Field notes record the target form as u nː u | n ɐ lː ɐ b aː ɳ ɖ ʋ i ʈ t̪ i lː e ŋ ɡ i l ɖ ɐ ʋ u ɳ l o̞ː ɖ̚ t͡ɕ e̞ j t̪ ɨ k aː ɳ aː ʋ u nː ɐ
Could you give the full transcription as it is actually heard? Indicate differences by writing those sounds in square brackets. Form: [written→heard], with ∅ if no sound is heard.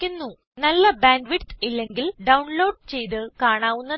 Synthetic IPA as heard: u nː u | n ɐ lː ɐ b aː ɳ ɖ ʋ i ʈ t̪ i lː e ŋ ɡ i l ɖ ɐ [ʋ→w] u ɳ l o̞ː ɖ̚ t͡ɕ e̞ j t̪ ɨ k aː ɳ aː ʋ u nː ɐ